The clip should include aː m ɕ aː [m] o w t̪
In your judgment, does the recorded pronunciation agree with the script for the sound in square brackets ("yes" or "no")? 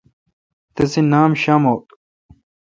yes